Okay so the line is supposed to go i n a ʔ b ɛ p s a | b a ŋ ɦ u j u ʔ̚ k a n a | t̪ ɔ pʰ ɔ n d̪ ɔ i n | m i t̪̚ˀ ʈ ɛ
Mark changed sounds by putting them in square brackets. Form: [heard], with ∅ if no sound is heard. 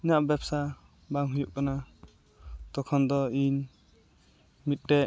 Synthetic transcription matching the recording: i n a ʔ b ɛ p s a | b a ŋ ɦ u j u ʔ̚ k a n a | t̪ ɔ [kʰ] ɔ n d̪ ɔ i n | m i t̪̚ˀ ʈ ɛ